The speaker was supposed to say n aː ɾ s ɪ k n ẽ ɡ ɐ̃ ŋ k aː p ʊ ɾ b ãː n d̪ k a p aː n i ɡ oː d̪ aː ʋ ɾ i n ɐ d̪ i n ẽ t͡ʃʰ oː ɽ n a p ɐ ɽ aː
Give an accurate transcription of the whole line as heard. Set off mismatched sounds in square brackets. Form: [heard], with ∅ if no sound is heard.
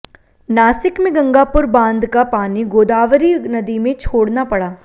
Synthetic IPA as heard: n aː [∅] s ɪ k [m] ẽ ɡ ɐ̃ ŋ [ɡ] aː p ʊ ɾ b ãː n d̪ k a p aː n i ɡ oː d̪ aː ʋ ɾ i n ɐ d̪ i [m] ẽ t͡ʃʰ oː ɽ n a p ɐ ɽ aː